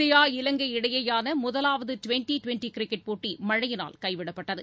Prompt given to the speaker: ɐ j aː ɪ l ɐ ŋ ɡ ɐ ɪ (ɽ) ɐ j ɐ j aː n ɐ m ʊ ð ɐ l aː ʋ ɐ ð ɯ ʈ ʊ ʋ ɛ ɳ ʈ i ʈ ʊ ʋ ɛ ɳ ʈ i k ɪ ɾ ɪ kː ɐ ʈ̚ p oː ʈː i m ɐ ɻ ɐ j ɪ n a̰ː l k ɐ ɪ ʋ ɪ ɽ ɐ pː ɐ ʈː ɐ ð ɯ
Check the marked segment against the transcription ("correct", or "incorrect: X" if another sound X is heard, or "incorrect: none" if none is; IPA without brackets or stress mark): correct